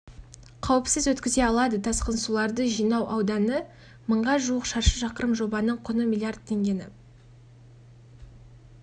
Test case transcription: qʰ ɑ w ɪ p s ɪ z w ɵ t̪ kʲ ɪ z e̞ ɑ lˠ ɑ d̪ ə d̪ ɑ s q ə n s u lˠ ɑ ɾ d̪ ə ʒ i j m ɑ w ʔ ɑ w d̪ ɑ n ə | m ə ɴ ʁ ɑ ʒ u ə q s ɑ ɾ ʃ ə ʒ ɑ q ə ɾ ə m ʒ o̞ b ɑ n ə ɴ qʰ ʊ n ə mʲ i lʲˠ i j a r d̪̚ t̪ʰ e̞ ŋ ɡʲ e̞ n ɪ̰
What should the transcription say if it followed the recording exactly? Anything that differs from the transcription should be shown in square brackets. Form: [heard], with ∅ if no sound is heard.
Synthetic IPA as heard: qʰ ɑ w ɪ p s ɪ z w ɵ t̪ kʲ ɪ z e̞ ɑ lˠ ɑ d̪ ə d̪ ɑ s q ə n s u lˠ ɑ ɾ d̪ ə ʒ i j [n] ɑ w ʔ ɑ w d̪ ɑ n ə | m ə ɴ ʁ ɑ ʒ u ə q [ʃ] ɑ ɾ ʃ ə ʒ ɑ q ə ɾ ə m ʒ o̞ b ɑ n ə ɴ qʰ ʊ n ə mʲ i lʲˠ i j a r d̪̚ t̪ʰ e̞ ŋ ɡʲ e̞ n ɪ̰